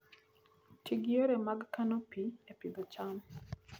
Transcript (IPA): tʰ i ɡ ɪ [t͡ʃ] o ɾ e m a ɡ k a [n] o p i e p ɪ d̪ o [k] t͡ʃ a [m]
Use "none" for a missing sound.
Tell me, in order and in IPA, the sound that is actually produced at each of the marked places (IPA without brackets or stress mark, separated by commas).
none, n, none, m